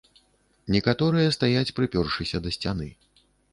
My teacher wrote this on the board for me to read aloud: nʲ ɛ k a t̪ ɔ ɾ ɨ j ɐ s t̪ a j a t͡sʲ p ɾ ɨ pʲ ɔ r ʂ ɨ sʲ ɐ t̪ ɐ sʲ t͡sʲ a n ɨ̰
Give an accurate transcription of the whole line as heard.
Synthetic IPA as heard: nʲ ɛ k a t̪ ɔ ɾ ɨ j ɐ s t̪ a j a t͡sʲ p ɾ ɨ pʲ ɔ r ʂ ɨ sʲ ɐ d̪ ɐ sʲ t͡sʲ a n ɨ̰

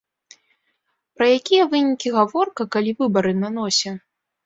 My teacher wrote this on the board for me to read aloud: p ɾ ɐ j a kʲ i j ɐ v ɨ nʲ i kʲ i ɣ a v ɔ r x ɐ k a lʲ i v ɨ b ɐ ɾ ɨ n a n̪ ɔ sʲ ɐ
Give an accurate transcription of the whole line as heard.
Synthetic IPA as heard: p ɾ ɐ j a kʲ i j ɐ v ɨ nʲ i kʲ i ɣ a v ɔ r k ɐ k a lʲ i v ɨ b ɐ ɾ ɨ n a n̪ ɔ sʲ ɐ

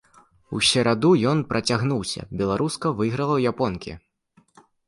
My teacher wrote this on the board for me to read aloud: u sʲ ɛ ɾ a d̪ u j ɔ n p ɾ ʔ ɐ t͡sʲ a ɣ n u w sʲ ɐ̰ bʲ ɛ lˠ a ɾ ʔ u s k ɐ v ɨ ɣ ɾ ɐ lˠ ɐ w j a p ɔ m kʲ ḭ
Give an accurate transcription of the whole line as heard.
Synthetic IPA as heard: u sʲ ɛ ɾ a d̪ u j ɔ n p ɾ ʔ ɐ t͡sʲ a ɣ n u w sʲ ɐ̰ bʲ ɛ lˠ a ɾ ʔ u s k ɐ v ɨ ɣ ɾ ɐ lˠ ɐ w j a p ɔ n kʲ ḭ

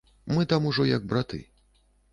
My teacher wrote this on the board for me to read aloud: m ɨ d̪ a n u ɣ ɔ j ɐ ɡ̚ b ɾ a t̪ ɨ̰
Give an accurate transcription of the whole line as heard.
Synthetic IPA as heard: m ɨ t̪ a m u ʐ ɔ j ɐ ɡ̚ b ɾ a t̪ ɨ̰

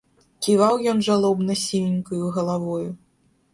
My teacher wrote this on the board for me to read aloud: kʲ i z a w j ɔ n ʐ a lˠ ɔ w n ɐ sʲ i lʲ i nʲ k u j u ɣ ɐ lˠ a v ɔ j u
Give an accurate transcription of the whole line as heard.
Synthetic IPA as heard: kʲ i v a w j ɔ n ʐ a lˠ ɔ b n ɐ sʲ i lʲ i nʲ k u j u ɣ ɐ lˠ a v ɔ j u

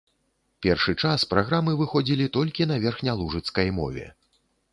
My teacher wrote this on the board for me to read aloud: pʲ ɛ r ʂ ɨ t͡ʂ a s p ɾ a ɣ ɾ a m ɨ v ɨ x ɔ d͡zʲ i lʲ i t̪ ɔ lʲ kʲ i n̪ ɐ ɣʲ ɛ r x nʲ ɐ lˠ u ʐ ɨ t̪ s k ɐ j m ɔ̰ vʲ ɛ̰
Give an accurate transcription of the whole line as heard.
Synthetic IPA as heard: pʲ ɛ r ʂ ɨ t͡ʂ a s p ɾ a ɣ ɾ a m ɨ v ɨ x ɔ d͡zʲ i lʲ i t̪ ɔ lʲ kʲ i n̪ ɐ vʲ ɛ r x nʲ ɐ lˠ u ʐ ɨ t̪ s k ɐ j m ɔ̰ vʲ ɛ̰

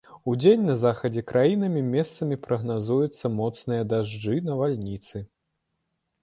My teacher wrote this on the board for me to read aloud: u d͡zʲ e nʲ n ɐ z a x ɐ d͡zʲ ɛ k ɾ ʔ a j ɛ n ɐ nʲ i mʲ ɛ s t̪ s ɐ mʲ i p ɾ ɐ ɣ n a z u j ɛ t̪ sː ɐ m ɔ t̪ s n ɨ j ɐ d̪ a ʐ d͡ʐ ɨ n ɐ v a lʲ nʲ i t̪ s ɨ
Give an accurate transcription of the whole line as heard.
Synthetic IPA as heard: u d͡zʲ e nʲ n ɐ z a x ɐ d͡zʲ ɛ k ɾ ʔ a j i n ɐ mʲ i mʲ ɛ s t̪ s ɐ mʲ i p ɾ ɐ ɣ n a z u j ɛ t̪ sː ɐ m ɔ t̪ s n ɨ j ɐ d̪ a ʐ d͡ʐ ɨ n ɐ v a lʲ nʲ i t̪ s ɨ

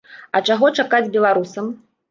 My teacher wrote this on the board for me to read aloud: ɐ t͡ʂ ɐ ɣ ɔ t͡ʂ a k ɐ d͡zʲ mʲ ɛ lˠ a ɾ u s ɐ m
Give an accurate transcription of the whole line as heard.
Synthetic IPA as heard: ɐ t͡ʂ a ɣ ɔ t͡ʂ a k a d͡zʲ bʲ ɛ lˠ a ɾ u s ɐ m

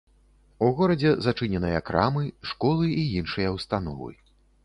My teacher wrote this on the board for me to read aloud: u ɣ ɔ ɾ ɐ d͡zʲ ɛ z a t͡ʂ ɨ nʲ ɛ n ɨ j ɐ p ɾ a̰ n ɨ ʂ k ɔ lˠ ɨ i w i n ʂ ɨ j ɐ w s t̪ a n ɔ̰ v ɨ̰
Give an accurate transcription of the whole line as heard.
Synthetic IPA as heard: u ɣ ɔ ɾ ɐ d͡zʲ ɛ z a t͡ʂ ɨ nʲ ɛ n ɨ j ɐ k ɾ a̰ m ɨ ʂ k ɔ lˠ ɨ i i n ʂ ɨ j ɐ w s t̪ a n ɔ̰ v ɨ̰

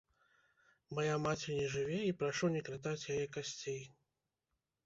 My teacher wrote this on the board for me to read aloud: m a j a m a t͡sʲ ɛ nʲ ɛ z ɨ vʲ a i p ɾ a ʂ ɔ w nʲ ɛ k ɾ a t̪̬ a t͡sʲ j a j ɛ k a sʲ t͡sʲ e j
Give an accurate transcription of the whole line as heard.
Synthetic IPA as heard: m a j a m a t͡sʲ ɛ nʲ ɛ ʐ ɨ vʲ ɛ i p ɾ a ʂ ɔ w nʲ ɛ k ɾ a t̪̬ a t͡sʲ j a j ɛ k a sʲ t͡sʲ e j

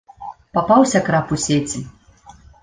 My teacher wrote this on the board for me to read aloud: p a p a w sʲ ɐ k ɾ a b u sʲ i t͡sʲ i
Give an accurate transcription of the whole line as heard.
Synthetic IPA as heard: p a p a w sʲ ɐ k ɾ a p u sʲ e t͡sʲ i

